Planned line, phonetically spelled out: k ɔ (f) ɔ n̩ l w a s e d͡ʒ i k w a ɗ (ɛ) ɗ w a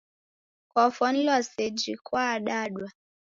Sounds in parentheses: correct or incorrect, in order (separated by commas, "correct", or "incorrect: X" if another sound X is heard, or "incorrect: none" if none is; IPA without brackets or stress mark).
correct, incorrect: a